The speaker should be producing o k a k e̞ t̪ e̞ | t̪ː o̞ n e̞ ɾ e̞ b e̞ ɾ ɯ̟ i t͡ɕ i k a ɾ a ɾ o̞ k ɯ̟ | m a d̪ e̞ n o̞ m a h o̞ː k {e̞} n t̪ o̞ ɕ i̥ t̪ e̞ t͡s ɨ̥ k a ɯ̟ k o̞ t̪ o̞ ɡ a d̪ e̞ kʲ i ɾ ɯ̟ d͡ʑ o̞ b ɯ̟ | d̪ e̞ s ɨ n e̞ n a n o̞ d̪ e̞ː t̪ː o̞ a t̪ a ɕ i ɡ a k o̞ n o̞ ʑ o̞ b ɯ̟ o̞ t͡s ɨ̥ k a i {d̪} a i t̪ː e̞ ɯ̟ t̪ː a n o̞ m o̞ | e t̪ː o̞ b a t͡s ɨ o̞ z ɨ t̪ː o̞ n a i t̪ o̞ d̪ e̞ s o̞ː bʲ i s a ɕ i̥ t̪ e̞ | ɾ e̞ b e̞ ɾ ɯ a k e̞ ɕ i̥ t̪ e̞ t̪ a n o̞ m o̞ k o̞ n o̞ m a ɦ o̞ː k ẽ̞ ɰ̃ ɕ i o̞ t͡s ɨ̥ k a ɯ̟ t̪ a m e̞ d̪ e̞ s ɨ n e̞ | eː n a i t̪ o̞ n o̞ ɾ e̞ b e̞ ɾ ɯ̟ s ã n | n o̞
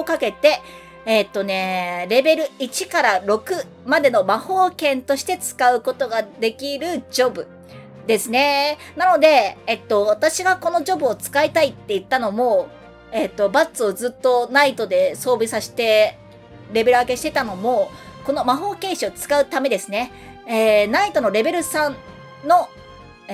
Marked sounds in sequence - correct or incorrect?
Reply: incorrect, incorrect

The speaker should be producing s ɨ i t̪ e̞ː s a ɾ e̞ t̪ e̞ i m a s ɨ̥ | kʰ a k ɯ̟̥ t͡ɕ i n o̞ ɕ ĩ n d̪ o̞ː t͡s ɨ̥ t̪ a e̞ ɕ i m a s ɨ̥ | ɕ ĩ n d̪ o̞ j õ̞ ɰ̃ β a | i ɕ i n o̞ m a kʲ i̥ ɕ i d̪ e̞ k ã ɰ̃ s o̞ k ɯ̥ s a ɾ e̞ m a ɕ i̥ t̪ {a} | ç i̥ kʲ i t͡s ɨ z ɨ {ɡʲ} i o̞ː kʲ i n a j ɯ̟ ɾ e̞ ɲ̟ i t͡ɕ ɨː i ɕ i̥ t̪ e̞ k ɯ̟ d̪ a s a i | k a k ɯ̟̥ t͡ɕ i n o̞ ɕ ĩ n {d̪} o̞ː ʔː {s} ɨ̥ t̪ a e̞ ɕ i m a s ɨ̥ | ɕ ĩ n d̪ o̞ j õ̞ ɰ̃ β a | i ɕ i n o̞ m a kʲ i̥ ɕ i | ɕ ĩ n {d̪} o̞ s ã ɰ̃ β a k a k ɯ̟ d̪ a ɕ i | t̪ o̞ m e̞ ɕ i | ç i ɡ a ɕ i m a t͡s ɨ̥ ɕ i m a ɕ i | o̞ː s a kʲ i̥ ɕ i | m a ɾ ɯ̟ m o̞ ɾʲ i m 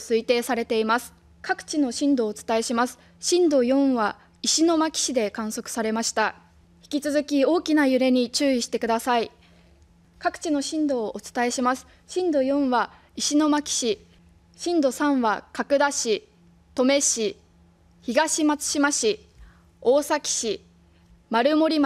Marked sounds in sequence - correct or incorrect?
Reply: correct, incorrect, correct, incorrect, correct

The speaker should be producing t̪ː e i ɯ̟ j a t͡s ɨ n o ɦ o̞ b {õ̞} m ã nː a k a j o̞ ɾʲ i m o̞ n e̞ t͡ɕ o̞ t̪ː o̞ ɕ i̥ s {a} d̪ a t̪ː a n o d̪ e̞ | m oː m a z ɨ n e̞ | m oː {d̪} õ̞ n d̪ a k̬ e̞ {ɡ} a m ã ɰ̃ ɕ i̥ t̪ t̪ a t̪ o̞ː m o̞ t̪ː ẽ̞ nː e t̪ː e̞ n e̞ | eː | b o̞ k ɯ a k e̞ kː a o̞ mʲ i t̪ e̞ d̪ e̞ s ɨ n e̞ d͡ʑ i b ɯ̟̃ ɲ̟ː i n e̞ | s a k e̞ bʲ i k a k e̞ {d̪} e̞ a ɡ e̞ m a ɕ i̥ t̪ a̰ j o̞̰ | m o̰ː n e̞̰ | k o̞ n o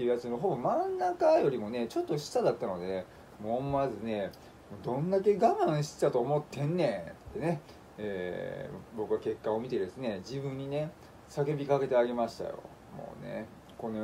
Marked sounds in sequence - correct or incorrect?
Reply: incorrect, correct, correct, correct, incorrect

